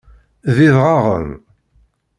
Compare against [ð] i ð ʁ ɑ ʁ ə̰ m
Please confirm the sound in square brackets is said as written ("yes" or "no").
yes